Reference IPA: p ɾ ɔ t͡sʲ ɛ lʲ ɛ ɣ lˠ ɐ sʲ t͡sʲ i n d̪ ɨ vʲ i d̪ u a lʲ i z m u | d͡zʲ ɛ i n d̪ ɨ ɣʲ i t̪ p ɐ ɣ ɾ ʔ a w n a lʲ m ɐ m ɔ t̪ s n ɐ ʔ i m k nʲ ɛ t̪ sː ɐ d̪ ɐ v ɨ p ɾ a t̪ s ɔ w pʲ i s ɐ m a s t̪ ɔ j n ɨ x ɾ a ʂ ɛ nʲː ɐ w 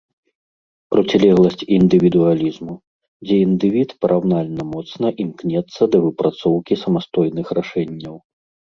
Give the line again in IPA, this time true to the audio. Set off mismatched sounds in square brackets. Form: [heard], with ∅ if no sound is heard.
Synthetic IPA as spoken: p ɾ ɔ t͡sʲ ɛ lʲ ɛ ɣ lˠ ɐ sʲ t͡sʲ i n d̪ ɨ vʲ i d̪ u a lʲ i z m u | d͡zʲ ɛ i n d̪ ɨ [vʲ] i t̪ p ɐ [∅] ɾ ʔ a w n a lʲ [n] ɐ m ɔ t̪ s n ɐ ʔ i m k nʲ ɛ t̪ sː ɐ d̪ ɐ v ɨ p ɾ a t̪ s ɔ w [kʲ] i s ɐ m a s t̪ ɔ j n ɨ x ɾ a ʂ ɛ nʲː ɐ w